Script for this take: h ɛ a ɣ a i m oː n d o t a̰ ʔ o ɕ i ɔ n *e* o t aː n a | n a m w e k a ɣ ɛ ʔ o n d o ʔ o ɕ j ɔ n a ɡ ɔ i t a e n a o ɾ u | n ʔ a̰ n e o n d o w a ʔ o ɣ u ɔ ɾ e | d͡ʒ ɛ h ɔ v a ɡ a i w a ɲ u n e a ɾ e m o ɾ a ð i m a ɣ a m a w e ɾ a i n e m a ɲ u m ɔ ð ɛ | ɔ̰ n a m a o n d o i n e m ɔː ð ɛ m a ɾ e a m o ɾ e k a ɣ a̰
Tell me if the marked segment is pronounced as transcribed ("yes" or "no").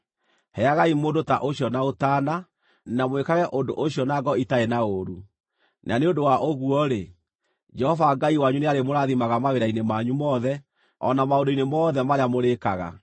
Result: no